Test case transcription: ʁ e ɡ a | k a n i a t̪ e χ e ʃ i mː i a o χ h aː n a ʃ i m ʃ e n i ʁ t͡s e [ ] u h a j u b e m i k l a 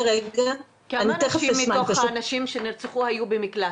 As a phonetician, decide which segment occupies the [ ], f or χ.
χ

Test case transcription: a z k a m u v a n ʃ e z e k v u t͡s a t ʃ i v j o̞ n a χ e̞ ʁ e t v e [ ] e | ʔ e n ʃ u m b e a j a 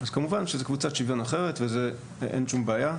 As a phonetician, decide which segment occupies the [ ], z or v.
z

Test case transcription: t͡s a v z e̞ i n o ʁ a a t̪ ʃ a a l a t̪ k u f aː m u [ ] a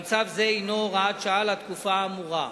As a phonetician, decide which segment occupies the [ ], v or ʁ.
ʁ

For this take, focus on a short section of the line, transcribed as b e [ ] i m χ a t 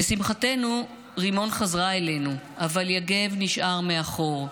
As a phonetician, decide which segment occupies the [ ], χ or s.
s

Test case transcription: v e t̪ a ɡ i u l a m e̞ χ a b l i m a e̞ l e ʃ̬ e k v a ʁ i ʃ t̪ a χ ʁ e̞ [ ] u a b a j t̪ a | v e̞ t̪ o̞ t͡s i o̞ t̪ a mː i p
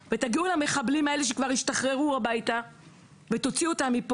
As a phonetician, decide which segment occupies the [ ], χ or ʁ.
ʁ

